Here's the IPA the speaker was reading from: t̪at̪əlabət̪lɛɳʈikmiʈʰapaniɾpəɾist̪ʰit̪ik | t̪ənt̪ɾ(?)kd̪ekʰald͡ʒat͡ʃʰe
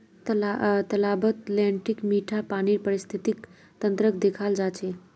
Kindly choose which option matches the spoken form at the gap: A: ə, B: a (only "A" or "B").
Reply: A